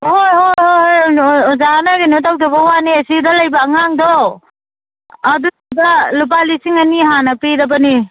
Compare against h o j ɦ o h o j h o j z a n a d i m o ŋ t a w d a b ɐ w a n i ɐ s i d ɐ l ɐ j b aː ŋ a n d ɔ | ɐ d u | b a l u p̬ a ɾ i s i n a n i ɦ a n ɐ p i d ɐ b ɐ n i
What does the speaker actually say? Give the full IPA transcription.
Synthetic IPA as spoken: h o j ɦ o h o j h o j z a n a ɡ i n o t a w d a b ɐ w a n i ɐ s i d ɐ l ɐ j b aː ŋ a ŋ d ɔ | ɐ d u | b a l u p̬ a l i s i ŋ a n i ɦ a n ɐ p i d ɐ b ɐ n i